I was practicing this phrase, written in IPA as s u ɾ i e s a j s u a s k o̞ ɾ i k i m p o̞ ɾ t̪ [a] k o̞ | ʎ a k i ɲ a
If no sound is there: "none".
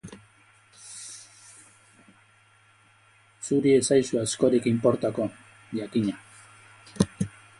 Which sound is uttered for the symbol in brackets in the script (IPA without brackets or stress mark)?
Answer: a